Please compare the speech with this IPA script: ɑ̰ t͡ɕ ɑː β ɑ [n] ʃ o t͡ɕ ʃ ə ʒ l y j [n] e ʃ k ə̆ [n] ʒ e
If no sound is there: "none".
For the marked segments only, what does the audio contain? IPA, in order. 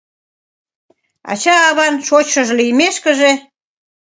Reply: n, m, none

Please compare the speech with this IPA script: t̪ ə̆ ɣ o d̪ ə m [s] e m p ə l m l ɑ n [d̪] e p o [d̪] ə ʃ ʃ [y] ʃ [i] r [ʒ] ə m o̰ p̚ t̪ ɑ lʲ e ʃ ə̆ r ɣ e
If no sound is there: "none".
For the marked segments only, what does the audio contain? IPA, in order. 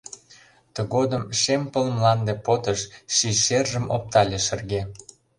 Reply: ʃ, d̪, t̪, i, e, ʒ

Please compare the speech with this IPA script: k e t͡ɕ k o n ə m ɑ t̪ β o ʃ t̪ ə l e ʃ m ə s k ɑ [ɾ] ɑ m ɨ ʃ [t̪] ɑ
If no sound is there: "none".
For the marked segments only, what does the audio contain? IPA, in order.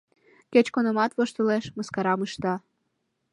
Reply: ɾ, t̪

